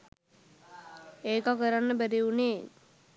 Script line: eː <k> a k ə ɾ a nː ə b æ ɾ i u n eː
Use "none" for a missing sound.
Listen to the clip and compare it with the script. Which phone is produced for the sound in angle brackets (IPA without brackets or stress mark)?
k